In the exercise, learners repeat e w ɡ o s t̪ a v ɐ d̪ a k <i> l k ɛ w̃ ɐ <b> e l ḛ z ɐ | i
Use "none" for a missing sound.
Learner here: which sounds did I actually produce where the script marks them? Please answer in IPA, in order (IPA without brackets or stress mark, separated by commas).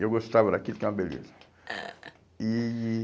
i, b